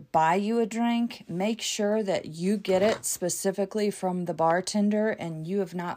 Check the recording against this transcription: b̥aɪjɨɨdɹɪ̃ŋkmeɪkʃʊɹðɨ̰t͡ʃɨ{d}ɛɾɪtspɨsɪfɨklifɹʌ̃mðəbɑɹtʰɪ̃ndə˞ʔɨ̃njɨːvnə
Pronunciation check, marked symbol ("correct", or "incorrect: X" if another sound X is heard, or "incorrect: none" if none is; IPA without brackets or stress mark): incorrect: ɡ